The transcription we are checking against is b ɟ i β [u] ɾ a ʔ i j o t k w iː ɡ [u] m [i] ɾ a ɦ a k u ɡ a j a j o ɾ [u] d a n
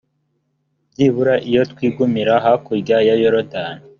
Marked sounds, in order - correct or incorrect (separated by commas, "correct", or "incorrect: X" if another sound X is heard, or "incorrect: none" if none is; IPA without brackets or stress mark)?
correct, correct, correct, incorrect: o